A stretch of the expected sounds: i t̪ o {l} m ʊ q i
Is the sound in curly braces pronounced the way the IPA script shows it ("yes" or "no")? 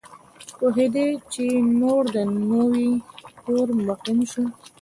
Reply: no